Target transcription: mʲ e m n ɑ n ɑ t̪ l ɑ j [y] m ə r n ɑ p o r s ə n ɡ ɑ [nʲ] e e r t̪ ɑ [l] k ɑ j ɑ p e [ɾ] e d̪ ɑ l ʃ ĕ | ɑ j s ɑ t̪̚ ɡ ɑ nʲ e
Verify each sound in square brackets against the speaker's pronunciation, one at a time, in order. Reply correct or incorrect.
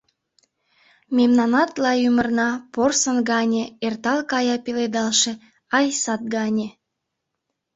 correct, correct, correct, incorrect: l

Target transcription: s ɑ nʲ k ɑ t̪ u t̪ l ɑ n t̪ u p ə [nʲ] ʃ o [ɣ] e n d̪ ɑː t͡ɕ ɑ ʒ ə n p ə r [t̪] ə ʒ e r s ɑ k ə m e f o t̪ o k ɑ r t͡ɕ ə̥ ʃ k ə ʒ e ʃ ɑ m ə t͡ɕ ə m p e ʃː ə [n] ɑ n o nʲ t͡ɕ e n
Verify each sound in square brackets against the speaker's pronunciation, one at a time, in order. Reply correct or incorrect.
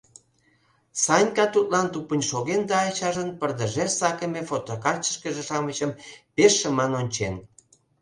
correct, correct, incorrect: d̪, incorrect: m

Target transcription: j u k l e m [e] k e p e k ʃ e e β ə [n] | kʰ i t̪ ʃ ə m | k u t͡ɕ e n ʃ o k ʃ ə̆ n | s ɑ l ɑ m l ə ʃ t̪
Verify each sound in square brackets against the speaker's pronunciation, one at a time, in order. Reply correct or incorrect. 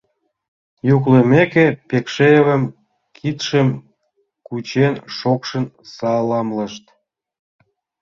correct, incorrect: m

